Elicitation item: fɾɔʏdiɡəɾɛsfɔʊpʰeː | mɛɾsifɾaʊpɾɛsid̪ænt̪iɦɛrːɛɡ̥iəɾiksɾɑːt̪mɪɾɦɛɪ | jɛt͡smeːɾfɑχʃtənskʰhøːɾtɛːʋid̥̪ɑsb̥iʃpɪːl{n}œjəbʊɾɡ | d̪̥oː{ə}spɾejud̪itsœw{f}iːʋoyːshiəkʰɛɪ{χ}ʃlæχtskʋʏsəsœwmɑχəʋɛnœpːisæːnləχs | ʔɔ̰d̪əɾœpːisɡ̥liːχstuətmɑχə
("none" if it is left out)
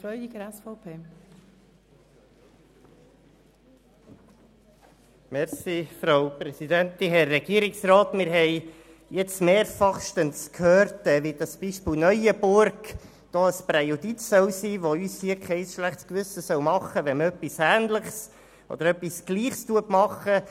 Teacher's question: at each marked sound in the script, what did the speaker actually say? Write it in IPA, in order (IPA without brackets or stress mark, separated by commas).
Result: n, ə, s, s